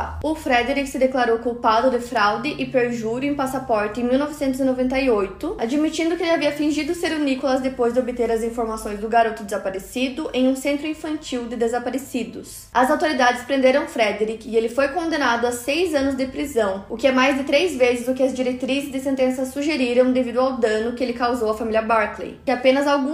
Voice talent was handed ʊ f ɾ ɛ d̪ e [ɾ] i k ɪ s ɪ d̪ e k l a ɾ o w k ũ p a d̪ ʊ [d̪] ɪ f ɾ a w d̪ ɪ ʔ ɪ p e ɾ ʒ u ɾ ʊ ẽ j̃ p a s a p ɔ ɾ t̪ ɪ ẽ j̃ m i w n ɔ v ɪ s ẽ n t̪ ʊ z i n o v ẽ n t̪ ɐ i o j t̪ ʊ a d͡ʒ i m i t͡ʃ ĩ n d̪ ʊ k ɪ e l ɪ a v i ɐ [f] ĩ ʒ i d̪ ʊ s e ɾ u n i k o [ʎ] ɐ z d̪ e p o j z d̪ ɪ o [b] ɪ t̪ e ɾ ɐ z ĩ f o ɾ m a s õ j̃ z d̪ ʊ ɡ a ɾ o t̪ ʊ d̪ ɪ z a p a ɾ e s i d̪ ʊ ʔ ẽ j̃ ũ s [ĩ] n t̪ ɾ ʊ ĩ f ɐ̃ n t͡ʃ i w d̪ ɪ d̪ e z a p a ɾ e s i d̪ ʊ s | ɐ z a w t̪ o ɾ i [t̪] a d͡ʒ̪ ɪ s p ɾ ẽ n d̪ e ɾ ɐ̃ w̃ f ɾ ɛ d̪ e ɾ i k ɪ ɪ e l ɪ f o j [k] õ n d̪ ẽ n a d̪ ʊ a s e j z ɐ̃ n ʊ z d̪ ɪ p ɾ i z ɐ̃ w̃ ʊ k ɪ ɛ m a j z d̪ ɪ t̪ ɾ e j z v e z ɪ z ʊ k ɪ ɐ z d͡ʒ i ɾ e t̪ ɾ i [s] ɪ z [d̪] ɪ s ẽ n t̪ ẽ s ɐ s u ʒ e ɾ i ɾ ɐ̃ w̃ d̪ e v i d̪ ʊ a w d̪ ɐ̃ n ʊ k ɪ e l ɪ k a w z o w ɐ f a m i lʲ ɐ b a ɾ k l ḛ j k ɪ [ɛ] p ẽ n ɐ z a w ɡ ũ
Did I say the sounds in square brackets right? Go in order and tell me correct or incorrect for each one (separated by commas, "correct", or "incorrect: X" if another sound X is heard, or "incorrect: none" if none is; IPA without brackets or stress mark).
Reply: correct, correct, correct, incorrect: l, correct, incorrect: ẽ, incorrect: d̪, correct, incorrect: z, correct, incorrect: a